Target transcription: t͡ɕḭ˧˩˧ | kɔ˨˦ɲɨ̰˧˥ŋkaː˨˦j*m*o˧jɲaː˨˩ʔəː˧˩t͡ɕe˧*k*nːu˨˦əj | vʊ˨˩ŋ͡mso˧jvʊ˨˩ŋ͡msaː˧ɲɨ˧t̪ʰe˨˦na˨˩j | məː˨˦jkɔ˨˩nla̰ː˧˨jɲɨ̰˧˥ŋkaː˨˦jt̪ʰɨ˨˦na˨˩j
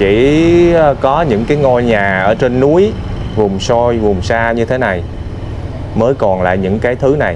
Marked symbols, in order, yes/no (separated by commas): no, no